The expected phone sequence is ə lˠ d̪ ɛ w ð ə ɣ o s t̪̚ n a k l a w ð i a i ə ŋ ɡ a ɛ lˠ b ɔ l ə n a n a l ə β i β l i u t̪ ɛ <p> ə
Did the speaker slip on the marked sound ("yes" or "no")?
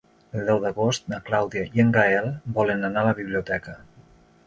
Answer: yes